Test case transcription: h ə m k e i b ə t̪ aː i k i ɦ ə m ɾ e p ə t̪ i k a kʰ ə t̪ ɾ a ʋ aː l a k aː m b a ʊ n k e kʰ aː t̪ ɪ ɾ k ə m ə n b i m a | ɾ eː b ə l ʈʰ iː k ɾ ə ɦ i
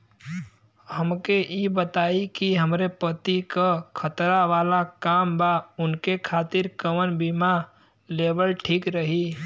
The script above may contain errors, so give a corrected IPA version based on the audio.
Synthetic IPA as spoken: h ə m k e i b ə t̪ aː i k i ɦ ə m ɾ e p ə t̪ i k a kʰ ə t̪ ɾ a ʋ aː l a k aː m b a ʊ n k e kʰ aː t̪ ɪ ɾ k ə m ə n b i m a | l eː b ə l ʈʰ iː k ɾ ə ɦ i